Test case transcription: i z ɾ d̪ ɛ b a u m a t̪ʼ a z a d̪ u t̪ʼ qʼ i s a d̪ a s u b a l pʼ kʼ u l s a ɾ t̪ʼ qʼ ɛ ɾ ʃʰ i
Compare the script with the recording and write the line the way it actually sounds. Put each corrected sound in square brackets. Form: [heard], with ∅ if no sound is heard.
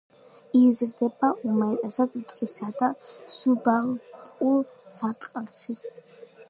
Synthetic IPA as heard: i z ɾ d̪ ɛ b a u m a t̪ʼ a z a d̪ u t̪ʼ qʼ i s a d̪ a s u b a l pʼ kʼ u l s a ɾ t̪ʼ qʼ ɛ [l] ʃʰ i